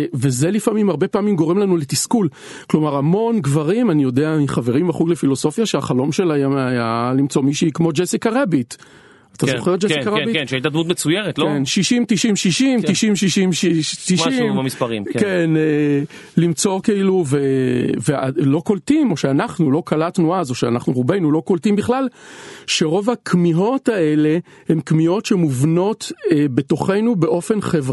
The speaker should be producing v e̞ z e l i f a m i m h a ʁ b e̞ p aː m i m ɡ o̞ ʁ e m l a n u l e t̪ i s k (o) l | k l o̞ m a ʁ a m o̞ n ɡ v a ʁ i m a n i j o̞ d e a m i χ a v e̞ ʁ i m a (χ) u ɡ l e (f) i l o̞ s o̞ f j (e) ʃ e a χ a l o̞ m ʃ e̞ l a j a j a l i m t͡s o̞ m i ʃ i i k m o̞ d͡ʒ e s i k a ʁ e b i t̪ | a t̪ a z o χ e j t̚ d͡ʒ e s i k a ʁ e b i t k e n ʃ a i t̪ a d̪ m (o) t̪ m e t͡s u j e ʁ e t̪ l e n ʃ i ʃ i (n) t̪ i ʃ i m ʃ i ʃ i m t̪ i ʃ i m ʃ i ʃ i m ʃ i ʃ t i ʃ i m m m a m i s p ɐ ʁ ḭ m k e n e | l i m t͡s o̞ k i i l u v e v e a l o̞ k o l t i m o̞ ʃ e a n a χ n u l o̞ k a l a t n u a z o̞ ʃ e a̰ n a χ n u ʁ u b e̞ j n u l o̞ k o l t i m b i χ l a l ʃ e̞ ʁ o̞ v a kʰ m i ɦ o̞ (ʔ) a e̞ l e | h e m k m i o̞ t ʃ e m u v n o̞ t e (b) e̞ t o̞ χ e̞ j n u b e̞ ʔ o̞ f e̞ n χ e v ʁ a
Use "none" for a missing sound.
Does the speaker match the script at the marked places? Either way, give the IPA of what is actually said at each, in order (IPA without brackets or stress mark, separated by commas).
u, χ, f, a, u, m, t, b